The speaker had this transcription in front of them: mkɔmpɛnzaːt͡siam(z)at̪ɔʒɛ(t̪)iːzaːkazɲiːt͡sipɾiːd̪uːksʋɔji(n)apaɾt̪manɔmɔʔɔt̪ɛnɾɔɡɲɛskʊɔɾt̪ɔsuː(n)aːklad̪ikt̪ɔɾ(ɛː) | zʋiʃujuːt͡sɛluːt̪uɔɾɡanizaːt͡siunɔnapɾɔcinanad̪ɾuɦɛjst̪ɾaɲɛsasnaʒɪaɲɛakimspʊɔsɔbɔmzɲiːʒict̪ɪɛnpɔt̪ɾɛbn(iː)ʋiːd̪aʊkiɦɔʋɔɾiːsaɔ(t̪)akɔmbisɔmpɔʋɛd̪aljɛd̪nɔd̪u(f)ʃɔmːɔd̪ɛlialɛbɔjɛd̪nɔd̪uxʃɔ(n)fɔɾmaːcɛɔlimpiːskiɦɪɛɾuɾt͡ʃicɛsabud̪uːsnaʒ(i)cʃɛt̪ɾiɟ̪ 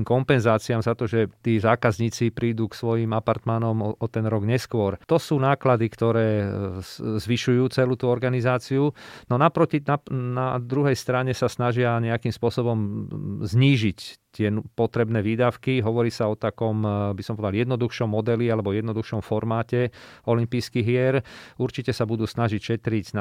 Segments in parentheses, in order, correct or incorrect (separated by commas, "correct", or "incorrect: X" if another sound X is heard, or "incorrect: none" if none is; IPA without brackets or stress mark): correct, correct, incorrect: m, correct, correct, incorrect: ɛː, correct, incorrect: x, incorrect: m, correct